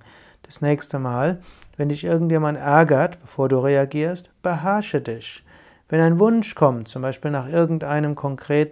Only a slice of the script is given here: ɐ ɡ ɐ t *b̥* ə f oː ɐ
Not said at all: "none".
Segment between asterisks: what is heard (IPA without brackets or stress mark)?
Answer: b̥